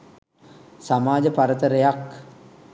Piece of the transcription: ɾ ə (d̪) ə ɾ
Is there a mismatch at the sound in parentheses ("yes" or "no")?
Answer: yes